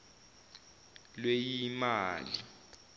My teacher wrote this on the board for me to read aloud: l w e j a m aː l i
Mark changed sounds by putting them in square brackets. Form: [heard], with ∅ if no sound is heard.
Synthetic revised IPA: l w e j [i] m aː l i